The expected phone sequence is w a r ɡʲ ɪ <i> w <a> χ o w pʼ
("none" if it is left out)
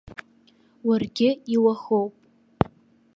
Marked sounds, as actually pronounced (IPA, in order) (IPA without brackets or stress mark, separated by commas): i, a